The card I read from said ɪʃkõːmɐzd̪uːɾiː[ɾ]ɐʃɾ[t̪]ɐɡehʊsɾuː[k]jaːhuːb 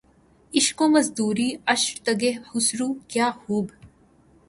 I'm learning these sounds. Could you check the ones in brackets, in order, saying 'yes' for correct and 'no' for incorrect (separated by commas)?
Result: no, yes, yes